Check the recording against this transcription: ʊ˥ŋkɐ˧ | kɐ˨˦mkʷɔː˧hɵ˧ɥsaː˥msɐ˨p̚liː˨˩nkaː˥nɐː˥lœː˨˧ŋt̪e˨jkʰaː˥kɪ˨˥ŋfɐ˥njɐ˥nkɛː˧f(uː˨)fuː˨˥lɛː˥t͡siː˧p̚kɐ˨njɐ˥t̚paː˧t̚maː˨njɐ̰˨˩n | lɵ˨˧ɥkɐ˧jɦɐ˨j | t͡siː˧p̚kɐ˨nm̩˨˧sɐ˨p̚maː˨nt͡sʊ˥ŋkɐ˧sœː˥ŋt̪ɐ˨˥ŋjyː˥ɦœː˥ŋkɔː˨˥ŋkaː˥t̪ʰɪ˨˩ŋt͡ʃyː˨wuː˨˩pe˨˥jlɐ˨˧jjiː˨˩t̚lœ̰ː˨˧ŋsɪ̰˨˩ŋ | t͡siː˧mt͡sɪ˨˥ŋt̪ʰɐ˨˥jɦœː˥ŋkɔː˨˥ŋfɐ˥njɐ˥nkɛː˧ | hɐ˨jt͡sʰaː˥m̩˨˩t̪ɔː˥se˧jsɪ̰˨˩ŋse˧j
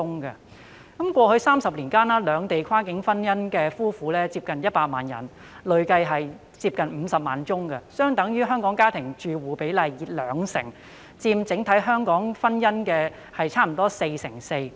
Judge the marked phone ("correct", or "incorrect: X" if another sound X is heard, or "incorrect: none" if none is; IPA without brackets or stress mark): incorrect: uː˥